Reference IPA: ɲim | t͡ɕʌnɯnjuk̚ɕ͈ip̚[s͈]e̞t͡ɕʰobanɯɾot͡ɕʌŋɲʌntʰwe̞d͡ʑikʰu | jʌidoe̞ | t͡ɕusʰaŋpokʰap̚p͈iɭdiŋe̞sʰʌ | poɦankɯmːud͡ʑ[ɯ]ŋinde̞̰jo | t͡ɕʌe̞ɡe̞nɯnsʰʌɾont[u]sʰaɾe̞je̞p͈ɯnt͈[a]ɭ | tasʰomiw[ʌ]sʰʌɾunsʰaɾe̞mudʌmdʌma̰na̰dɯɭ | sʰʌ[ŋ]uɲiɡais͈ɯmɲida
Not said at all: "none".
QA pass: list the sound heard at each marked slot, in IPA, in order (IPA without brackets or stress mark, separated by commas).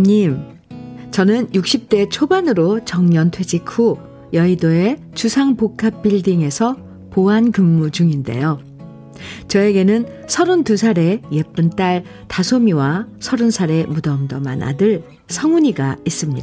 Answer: t͈, u, u, a, a, ŋ